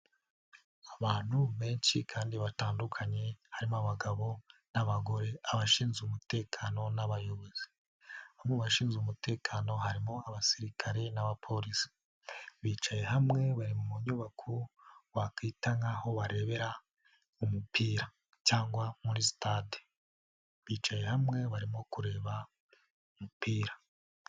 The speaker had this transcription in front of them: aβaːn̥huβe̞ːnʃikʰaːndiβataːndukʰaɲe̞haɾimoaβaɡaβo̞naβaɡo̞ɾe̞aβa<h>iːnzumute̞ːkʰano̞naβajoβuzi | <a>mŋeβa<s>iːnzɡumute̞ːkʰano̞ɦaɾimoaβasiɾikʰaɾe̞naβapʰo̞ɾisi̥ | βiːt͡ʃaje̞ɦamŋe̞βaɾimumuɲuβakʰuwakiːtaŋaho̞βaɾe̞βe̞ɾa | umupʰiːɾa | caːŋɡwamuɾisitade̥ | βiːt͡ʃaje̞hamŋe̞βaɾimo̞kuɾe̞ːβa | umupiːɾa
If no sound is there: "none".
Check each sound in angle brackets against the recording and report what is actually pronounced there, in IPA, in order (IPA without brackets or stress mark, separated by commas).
ʃ, a, ʃ